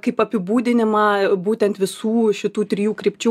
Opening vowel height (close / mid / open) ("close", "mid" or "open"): open